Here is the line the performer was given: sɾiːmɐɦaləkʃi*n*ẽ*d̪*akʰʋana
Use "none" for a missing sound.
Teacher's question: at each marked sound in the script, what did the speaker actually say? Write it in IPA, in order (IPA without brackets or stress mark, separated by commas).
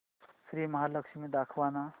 m, d̪